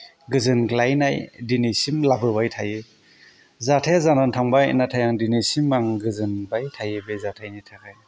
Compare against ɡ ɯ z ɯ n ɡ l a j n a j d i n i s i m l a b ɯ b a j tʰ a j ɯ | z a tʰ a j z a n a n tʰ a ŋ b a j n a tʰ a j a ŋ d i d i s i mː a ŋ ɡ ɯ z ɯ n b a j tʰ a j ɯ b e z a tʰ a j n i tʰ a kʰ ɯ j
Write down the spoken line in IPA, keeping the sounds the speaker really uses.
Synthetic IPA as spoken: ɡ ɯ z ɯ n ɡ l a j n a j d i n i s i m l a b ɯ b a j tʰ a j ɯ | z a tʰ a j z a n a n tʰ a ŋ b a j n a tʰ a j a ŋ d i n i s i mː a ŋ ɡ ɯ z ɯ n b a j tʰ a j ɯ b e z a tʰ a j n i tʰ a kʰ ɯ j